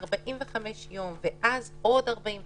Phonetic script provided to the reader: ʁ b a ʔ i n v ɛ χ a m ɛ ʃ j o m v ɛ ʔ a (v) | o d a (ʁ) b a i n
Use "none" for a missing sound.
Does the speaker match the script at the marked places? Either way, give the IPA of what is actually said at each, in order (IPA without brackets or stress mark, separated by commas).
z, ʁ